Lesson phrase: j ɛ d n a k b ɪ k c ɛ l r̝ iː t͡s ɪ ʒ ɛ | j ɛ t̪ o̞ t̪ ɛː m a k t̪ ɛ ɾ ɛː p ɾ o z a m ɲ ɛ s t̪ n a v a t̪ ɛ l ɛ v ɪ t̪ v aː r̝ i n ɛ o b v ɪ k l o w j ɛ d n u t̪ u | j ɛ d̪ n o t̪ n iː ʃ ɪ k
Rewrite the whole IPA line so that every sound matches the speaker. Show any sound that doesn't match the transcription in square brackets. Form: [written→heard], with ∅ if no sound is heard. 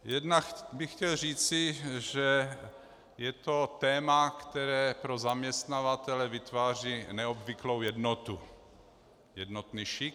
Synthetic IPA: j ɛ d n a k b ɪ [k→x] c ɛ l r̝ iː t͡s ɪ ʒ ɛ | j ɛ t̪ o̞ t̪ ɛː m a k t̪ ɛ ɾ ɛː p ɾ o z a m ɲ ɛ s t̪ n a v a t̪ ɛ l ɛ v ɪ t̪ v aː r̝ i n ɛ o b v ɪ k l o w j ɛ d n [u→o] t̪ u | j ɛ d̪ n o t̪ n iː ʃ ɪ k